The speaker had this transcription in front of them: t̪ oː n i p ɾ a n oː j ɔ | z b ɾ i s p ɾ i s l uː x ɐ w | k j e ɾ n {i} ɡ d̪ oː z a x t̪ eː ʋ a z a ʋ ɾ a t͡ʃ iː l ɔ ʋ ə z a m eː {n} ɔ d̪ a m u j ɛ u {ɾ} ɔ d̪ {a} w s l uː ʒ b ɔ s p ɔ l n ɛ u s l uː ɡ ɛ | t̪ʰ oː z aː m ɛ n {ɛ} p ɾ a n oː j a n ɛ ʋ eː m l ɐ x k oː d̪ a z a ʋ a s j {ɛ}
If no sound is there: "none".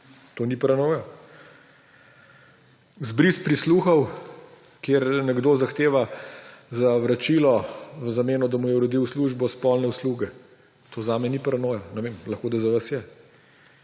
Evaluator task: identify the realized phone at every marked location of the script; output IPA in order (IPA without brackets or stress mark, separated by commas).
ɛ, n, ɾ, i, i, ɛ